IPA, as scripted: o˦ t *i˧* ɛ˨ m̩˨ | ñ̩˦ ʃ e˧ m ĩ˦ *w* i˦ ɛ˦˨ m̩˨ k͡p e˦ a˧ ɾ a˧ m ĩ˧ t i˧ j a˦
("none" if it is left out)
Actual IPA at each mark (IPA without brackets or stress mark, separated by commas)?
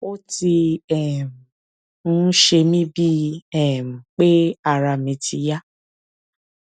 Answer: i˧, b